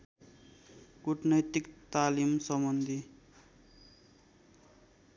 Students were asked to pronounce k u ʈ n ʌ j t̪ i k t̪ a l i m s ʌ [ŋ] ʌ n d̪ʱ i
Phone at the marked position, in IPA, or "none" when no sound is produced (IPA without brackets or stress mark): m